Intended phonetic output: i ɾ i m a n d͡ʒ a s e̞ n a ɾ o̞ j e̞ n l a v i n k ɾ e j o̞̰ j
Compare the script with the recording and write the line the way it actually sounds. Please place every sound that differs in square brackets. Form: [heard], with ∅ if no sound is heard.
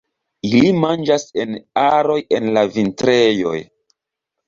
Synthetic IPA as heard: i [l] i m a n d͡ʒ a s e̞ n a ɾ o̞ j e̞ n l a v i n [t] ɾ e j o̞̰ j

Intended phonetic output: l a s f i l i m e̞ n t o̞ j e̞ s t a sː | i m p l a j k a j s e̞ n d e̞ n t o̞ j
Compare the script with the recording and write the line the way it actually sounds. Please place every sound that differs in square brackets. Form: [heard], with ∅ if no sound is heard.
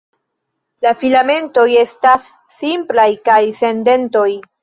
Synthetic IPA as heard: l a [∅] f i l [a] m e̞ n t o̞ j e̞ s t a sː | i m p l a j k a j s e̞ n d e̞ n t o̞ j

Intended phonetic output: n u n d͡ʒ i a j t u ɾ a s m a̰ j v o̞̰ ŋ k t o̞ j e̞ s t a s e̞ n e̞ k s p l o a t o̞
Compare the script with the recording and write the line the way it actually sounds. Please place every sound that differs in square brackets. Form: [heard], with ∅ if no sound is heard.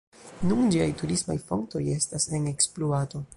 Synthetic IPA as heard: n u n d͡ʒ i a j t u ɾ [i] s m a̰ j [f] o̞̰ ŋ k t o̞ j e̞ s t a s e̞ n e̞ k s p l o a t o̞

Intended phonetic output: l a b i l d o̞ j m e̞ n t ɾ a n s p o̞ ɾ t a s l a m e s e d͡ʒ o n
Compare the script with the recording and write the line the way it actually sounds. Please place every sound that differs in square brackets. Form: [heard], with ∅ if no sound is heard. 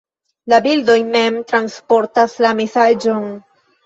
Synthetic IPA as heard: l a b i l d o̞ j m e̞ [m] t ɾ a n s p o̞ ɾ t a s l a m e s [a] d͡ʒ o n

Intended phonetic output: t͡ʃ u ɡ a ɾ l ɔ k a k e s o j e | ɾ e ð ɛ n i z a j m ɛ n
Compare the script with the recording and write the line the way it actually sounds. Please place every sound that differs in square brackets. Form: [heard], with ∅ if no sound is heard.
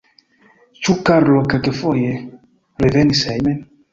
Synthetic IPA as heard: t͡ʃ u [k] a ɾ l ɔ k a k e [f] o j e | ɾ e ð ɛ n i [s] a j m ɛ n

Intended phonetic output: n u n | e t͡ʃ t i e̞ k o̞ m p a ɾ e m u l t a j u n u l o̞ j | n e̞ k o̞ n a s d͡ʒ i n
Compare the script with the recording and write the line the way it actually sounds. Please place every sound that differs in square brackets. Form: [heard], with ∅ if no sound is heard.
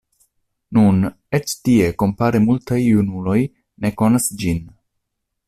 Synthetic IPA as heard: n u n | e t͡ʃ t i e̞ k o̞ m p a ɾ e m u l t a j u n u l o̞ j | n e̞ k o̞ n a s d͡ʒ i n

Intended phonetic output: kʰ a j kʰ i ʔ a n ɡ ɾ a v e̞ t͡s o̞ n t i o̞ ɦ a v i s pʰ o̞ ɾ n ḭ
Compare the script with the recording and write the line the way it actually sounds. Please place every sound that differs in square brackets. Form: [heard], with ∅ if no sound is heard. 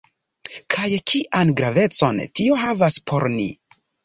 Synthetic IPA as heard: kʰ a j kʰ i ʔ a n ɡ ɾ a v e̞ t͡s o̞ n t i o̞ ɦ a v [a] s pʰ o̞ ɾ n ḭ

